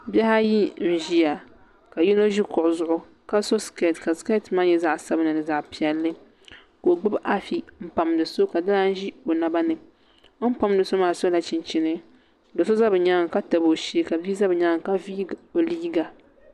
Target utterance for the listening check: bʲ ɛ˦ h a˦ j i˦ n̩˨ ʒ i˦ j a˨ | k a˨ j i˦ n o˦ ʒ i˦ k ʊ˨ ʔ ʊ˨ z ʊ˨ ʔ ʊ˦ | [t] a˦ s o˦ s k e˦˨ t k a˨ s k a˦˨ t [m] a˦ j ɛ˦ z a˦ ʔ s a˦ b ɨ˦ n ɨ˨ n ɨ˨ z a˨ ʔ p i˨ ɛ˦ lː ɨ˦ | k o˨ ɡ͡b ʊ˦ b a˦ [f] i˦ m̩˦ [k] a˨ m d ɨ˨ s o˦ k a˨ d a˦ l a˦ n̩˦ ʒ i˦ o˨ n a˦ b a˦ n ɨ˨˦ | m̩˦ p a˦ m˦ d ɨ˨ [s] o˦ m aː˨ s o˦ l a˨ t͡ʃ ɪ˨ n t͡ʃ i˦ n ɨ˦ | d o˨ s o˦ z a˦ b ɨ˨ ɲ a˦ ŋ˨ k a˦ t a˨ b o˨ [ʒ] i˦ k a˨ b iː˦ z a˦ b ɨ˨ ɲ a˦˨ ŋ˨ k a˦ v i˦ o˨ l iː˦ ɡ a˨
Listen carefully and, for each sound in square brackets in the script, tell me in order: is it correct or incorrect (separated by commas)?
incorrect, correct, correct, incorrect, correct, incorrect